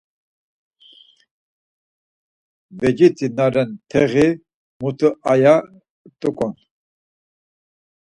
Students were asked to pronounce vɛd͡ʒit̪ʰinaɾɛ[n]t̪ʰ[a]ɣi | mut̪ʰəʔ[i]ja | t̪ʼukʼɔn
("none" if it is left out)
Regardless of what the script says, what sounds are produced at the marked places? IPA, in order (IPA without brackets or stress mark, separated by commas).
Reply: n, ɛ, a